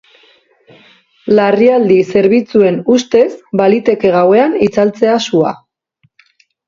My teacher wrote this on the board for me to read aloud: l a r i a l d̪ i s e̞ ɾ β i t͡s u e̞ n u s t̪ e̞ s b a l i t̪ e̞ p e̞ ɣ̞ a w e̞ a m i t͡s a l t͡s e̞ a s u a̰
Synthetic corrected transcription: l a r i a l d̪ i s e̞ ɾ β i t͡s u e̞ n u s t̪ e̞ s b a l i t̪ e̞ k e̞ ɣ̞ a w e̞ a n i t͡s a l t͡s e̞ a s u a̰